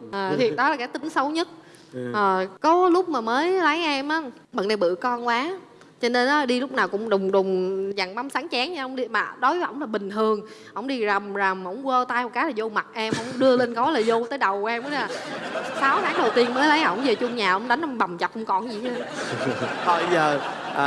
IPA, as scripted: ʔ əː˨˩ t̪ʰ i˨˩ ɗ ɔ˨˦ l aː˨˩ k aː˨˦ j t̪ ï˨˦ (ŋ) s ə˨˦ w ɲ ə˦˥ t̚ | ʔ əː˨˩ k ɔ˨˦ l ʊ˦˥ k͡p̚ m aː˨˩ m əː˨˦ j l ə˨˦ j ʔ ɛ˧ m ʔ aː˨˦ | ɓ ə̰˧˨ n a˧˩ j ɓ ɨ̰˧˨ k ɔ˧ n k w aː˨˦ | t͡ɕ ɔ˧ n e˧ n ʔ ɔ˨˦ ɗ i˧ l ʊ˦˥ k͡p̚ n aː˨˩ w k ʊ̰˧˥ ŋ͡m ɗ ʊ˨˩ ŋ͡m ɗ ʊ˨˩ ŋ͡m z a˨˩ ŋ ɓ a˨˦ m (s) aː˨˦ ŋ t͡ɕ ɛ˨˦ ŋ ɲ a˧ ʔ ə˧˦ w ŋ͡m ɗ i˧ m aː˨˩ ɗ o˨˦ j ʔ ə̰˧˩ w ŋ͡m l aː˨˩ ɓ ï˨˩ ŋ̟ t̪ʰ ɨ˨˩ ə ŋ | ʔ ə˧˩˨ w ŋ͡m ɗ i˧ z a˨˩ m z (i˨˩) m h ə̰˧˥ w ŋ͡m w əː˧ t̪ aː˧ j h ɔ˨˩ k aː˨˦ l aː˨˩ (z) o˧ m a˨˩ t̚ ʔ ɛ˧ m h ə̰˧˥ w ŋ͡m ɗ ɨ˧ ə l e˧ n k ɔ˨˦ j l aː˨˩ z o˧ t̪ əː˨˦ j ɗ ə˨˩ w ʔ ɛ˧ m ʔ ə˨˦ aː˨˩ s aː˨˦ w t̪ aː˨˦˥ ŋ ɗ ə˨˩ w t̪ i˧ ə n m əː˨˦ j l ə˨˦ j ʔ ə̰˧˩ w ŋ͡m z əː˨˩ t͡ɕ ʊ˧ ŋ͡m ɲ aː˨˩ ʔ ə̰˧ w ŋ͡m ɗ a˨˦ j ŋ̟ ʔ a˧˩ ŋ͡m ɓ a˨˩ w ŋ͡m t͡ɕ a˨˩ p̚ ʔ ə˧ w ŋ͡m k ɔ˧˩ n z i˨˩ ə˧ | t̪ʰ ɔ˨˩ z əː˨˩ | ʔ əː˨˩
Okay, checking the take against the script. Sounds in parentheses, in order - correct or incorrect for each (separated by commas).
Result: correct, correct, incorrect, correct